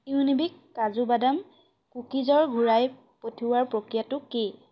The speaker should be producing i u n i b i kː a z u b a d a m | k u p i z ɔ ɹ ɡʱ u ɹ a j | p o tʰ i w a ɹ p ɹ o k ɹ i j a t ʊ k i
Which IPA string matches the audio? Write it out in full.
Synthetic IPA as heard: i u n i b i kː a z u b a d a m | k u k i z ɔ ɹ ɡʱ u ɹ a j | p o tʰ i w a ɹ p ɹ o k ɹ i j a t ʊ k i